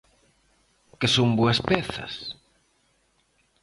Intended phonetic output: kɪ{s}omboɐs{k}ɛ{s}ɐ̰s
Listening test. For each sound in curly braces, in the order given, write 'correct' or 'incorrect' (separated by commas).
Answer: correct, incorrect, incorrect